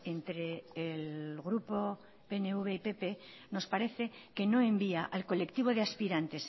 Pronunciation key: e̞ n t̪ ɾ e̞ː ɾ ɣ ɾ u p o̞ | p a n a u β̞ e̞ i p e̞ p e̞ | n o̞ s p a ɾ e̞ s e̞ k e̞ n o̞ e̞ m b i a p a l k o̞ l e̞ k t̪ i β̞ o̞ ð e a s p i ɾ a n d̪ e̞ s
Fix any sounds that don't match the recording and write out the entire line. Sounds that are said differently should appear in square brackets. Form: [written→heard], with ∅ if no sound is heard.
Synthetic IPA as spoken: e̞ n t̪ ɾ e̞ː [ɾ→l] ɣ ɾ u p o̞ | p [a→e] n [a→e] u β̞ e̞ i p e̞ p e̞ | n o̞ s p a ɾ e̞ [s→θ] e̞ k e̞ n o̞ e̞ m b i a [p→ʔ] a l k o̞ l e̞ k t̪ i β̞ o̞ ð e a s p i ɾ a n [d̪→t̪] e̞ s